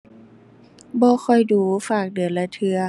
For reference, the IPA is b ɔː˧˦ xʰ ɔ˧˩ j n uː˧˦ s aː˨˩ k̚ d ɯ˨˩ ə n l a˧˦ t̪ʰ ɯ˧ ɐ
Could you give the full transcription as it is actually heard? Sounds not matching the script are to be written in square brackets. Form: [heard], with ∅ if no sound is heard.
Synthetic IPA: b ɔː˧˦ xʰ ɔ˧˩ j [d] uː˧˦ [f] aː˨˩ k̚ d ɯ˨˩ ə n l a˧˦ t̪ʰ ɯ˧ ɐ

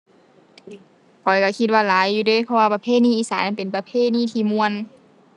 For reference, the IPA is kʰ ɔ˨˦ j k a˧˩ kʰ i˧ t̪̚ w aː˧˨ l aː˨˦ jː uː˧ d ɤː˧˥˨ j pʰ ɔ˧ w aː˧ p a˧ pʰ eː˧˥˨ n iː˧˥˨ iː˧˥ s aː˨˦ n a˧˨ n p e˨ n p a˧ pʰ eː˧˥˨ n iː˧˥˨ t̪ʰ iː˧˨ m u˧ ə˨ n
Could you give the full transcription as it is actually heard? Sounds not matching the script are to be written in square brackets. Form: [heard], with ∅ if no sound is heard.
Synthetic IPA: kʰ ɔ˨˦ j k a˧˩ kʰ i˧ t̪̚ w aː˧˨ l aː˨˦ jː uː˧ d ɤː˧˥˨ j pʰ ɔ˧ w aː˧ p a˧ pʰ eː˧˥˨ n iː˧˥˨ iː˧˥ s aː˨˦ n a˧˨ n p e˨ n p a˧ pʰ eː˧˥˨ n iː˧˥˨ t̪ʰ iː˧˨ m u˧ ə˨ n

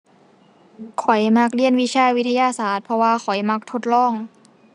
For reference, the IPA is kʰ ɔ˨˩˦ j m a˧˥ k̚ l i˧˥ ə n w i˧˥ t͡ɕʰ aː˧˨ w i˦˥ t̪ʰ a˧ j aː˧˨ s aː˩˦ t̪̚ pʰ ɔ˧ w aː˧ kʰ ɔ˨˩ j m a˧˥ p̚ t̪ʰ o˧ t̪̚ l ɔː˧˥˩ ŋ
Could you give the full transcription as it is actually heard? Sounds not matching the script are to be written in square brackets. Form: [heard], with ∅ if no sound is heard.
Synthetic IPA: kʰ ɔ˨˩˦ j m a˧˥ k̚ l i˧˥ ə n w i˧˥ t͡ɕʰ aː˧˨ w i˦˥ t̪ʰ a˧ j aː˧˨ s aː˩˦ t̪̚ pʰ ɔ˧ w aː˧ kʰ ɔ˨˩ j m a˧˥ [k̚] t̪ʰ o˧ t̪̚ l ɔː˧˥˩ ŋ

